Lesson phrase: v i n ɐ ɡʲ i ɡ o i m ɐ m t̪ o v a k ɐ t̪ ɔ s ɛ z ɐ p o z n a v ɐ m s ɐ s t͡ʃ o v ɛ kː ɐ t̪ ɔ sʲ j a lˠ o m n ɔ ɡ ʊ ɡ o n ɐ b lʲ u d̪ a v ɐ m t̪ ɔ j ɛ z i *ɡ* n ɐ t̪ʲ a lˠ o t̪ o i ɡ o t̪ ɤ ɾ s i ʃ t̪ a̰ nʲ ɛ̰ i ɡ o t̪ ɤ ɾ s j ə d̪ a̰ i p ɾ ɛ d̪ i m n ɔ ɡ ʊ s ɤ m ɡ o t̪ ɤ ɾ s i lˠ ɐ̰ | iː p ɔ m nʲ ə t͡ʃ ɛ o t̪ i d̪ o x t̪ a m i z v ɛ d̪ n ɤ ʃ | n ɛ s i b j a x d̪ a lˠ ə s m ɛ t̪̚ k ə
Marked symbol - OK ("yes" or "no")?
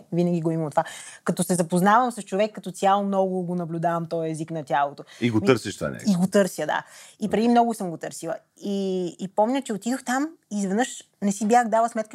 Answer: no